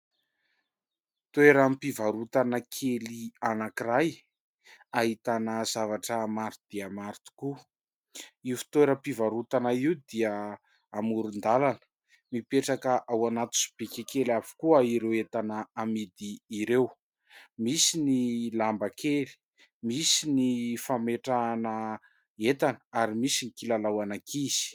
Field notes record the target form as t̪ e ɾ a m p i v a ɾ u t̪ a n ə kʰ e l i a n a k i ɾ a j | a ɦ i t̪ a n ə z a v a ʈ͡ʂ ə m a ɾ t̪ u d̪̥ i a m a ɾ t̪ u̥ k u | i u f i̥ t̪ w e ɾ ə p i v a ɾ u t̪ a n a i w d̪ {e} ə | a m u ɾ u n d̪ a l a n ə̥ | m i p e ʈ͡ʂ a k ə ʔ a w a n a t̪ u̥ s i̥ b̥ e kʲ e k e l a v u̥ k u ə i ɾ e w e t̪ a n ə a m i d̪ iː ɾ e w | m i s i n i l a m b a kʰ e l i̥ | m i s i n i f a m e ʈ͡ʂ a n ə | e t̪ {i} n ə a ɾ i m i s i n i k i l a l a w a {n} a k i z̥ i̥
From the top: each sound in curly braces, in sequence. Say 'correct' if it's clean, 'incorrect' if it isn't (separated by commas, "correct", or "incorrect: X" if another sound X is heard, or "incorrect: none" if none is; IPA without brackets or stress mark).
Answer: incorrect: i, incorrect: a, correct